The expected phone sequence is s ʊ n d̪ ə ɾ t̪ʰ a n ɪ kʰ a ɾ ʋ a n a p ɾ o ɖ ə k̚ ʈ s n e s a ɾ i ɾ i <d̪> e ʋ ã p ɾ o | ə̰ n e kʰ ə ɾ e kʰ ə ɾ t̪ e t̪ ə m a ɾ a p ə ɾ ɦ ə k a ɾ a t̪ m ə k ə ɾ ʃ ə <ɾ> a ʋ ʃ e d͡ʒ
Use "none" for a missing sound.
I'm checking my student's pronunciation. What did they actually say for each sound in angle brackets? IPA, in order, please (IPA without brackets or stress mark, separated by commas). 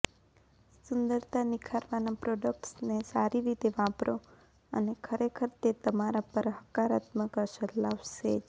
t̪, l